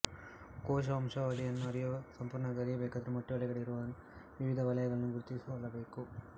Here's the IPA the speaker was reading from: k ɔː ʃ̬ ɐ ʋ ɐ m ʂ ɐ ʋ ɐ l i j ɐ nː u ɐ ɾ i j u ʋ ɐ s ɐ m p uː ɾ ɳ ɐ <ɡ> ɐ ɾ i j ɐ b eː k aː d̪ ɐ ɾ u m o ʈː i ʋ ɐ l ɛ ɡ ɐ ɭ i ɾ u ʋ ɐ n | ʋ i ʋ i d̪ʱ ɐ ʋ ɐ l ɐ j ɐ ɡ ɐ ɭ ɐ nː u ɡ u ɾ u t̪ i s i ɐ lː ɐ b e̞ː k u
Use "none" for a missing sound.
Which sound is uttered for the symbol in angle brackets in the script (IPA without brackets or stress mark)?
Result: ɡ